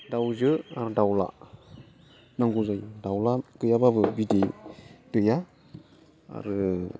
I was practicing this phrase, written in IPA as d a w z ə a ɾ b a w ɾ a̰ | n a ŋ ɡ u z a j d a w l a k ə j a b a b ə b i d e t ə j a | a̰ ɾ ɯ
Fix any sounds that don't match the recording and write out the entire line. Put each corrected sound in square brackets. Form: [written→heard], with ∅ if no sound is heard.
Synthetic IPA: d a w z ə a ɾ [b→d] a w [ɾ→l] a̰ | n a ŋ ɡ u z a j d a w l a k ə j a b a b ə b i d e t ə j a | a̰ ɾ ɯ